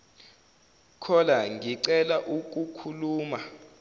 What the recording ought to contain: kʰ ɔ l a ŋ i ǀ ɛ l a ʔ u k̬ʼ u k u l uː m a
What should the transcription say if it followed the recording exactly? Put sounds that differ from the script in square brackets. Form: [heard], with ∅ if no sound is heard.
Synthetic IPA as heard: kʰ ɔ l a ŋ i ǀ ɛ l a ʔ u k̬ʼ u [kʰ] u l uː m a